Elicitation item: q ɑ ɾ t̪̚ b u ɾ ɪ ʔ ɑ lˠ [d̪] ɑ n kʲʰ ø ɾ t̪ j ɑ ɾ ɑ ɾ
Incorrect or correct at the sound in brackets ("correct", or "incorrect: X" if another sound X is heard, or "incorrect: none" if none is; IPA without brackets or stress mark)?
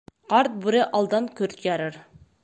correct